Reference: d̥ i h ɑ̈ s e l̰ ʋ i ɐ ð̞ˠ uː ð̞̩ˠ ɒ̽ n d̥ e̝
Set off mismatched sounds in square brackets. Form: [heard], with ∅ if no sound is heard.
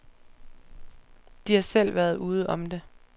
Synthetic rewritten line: d̥ i h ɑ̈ s e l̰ ʋ [æ] ɐ ð̞ˠ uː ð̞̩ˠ ɒ̽ [m] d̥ e̝